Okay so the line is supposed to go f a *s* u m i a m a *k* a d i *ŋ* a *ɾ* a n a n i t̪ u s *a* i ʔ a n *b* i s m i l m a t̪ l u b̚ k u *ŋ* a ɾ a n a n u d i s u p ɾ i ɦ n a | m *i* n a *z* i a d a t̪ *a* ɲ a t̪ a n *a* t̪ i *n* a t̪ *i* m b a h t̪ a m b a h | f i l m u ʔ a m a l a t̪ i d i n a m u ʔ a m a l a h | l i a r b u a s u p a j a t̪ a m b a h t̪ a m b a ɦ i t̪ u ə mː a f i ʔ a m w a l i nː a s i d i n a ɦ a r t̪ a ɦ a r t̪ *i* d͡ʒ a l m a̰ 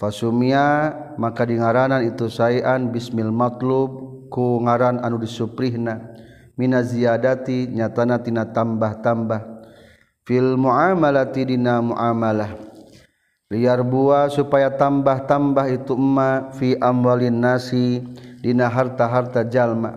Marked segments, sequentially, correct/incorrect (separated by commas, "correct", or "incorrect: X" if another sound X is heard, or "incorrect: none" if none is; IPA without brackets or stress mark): correct, correct, correct, correct, correct, correct, correct, correct, correct, incorrect: i, correct, correct, incorrect: a, incorrect: a